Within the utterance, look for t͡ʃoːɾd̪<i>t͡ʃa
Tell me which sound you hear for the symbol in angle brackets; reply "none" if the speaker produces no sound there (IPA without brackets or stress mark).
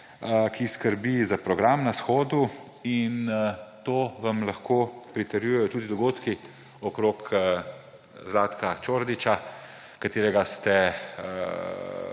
i